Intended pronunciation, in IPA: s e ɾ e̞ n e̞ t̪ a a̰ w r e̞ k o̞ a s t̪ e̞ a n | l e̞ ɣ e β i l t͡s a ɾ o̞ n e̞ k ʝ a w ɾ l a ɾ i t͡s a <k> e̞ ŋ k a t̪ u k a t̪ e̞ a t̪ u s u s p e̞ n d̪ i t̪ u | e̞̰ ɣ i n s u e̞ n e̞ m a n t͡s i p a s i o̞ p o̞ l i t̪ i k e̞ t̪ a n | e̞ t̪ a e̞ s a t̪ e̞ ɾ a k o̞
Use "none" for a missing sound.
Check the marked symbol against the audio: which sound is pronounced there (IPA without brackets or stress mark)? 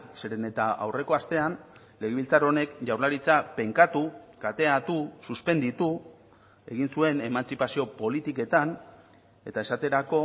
p